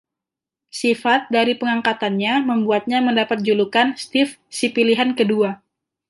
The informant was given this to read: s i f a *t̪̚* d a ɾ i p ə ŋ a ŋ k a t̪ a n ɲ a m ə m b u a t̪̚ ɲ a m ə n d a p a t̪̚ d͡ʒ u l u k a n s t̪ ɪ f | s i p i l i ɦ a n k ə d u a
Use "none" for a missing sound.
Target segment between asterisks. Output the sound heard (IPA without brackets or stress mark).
t̪̚